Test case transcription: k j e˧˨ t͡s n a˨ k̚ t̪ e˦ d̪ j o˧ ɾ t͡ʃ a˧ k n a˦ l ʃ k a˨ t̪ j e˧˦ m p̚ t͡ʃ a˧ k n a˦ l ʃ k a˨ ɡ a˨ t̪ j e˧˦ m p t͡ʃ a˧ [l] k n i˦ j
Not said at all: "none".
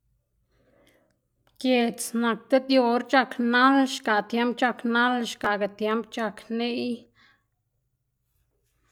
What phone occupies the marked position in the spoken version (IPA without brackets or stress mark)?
none